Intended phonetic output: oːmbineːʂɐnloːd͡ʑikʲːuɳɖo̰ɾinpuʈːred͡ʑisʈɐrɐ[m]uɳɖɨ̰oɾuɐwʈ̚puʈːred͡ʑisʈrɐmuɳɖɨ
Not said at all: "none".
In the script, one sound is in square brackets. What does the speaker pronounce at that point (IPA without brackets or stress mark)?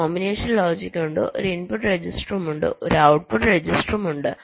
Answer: m